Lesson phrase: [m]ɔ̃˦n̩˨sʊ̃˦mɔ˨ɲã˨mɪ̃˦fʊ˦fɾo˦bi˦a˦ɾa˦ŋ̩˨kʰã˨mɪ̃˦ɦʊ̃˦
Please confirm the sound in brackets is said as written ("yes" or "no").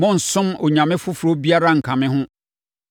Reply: yes